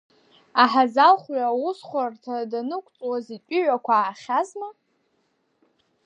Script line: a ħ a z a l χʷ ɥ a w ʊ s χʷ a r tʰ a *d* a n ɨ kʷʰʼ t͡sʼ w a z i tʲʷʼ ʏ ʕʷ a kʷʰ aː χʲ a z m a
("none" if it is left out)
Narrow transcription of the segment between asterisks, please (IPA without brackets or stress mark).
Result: d